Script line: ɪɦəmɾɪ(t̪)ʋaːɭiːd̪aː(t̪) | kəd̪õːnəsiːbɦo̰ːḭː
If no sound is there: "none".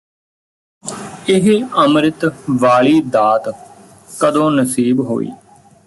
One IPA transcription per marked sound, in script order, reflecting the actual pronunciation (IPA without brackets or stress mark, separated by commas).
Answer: t̪, t̪